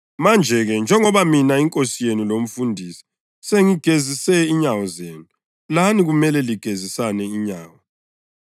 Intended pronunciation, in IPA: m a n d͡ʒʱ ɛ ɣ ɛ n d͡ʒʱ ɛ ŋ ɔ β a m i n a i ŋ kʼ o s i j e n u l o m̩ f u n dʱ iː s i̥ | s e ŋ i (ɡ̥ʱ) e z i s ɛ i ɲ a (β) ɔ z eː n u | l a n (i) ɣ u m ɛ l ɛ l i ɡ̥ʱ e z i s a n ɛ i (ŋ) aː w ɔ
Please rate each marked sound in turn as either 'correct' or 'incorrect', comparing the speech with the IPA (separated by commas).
correct, incorrect, correct, incorrect